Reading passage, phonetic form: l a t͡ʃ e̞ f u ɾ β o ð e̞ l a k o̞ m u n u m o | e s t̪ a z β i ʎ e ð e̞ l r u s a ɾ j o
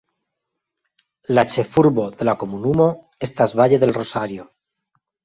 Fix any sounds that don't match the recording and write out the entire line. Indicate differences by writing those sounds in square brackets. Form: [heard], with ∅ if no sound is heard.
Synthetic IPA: l a t͡ʃ e̞ f u ɾ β o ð e̞ l a k o̞ m u n u m o | e s t̪ a z β [a] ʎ e ð e̞ l r [o] s a ɾ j o